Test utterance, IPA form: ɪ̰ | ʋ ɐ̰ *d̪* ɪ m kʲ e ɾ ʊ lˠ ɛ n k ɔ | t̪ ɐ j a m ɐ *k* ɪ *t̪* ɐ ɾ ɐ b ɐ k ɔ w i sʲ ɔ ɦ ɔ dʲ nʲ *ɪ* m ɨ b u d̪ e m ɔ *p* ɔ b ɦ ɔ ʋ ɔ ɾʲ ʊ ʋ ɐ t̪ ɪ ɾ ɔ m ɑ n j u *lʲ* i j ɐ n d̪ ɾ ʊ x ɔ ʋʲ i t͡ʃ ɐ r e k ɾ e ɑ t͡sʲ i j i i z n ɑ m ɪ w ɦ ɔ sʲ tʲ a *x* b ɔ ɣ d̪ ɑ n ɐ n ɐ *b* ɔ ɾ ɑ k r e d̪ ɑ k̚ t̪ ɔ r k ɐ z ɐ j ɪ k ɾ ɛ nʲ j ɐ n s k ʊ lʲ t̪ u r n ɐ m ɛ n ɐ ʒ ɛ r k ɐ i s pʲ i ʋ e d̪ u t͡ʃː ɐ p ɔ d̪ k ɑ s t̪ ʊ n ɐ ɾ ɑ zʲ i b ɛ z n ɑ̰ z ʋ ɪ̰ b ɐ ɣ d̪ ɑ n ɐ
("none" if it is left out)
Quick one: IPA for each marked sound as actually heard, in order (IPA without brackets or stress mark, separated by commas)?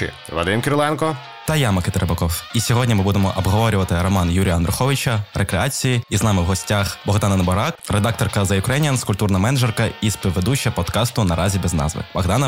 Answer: d̪, k, t̪, i, ʔ, ɾʲ, x, b